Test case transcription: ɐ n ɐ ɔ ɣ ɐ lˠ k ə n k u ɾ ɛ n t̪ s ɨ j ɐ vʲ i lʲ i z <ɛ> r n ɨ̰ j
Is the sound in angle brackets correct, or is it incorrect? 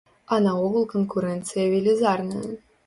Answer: incorrect